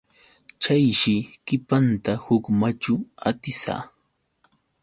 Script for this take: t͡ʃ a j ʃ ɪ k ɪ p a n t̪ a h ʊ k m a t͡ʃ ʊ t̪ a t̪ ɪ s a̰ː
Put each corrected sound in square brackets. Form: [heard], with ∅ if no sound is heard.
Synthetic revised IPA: t͡ʃ a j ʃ ɪ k ɪ p a n t̪ a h ʊ k m a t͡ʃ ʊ [∅] a t̪ ɪ s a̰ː

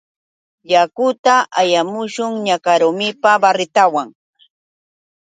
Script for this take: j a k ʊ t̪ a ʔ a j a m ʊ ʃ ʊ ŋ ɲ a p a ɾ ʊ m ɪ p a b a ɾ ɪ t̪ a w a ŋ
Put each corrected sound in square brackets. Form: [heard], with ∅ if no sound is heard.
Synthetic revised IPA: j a k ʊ t̪ a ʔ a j a m ʊ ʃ ʊ ŋ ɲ a [k] a ɾ ʊ m ɪ p a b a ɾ ɪ t̪ a w a ŋ

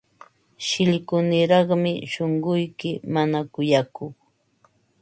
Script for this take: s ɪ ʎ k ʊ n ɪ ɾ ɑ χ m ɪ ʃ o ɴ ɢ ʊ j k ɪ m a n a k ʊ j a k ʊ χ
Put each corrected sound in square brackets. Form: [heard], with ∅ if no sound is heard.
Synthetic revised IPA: [ʃ] ɪ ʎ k ʊ n ɪ ɾ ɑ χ m ɪ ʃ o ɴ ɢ ʊ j k ɪ m a n a k ʊ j a k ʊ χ

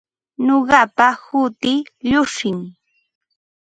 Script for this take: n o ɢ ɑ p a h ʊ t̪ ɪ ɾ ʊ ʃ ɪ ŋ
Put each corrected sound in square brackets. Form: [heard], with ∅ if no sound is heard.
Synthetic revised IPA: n o ɢ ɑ p a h ʊ t̪ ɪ [ʎ] ʊ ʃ ɪ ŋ

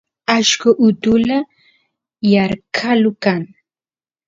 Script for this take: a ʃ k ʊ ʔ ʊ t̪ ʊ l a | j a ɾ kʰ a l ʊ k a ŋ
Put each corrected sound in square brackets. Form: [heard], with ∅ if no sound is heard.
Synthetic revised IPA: a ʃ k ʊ ʔ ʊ t̪ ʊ l a | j a ɾ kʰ a l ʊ k a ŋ

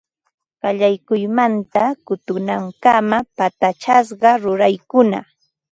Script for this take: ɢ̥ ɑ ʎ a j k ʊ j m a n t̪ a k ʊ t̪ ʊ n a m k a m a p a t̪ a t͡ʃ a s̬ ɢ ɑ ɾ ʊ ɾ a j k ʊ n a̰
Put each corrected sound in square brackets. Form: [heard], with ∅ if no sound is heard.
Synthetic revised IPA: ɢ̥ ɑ ʎ a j k ʊ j m a n t̪ a k ʊ t̪ ʊ n a [ŋ] k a m a p a t̪ a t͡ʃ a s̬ ɢ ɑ ɾ ʊ ɾ a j k ʊ n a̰

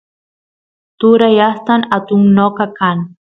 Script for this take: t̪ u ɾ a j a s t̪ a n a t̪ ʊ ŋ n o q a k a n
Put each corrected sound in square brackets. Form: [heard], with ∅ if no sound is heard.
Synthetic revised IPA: t̪ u ɾ a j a s t̪ a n a t̪ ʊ ŋ n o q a k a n

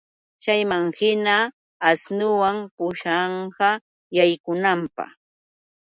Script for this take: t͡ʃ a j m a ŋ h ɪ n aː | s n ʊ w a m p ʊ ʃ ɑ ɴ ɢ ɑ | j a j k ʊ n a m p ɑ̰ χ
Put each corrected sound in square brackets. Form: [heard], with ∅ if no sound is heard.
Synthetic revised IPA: t͡ʃ a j m a ŋ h ɪ n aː | s n ʊ w a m p ʊ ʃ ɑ ɴ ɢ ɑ | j a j k ʊ n a m p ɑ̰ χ

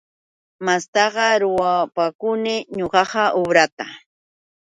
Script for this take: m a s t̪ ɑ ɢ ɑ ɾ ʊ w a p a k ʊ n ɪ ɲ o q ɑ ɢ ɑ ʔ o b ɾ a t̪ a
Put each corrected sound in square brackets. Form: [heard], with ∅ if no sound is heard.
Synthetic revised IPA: m a s t̪ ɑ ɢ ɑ ɾ ʊ w a p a k ʊ n ɪ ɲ o [ɢ] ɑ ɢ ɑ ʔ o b ɾ a t̪ a

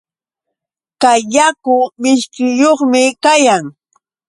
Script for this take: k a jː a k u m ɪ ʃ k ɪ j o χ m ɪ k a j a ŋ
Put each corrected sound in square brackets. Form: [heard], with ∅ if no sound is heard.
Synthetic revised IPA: k a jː a k [ʊ] m ɪ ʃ k ɪ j o χ m ɪ k a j a ŋ

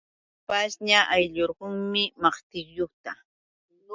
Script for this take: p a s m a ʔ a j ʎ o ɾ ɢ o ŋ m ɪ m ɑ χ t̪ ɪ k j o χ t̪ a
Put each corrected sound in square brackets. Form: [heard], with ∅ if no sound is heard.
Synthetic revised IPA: p a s [ɲ] a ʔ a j ʎ o ɾ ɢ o ŋ m ɪ m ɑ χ t̪ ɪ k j o χ t̪ a

